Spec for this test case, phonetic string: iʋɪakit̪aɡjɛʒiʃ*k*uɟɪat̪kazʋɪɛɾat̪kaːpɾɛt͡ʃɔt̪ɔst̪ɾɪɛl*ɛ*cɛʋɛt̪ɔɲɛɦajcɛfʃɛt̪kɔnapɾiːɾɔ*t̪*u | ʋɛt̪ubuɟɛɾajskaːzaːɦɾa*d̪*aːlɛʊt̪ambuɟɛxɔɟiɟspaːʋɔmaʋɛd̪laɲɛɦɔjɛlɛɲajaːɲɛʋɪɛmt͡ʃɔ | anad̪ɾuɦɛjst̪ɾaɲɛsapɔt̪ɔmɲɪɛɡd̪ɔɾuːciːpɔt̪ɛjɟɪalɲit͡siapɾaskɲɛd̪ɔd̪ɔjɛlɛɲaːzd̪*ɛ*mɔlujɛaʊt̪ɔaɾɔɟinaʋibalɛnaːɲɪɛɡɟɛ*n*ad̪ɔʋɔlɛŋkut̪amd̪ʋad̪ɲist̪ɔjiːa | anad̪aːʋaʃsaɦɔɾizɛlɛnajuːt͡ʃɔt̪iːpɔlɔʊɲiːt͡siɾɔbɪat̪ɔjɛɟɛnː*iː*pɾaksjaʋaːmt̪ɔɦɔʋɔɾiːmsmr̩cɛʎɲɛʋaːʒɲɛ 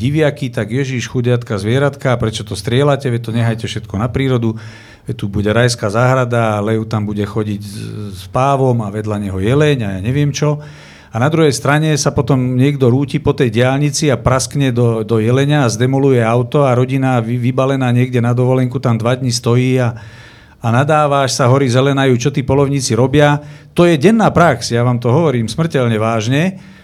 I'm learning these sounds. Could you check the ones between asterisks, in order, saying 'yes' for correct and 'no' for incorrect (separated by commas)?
no, no, no, yes, yes, yes, no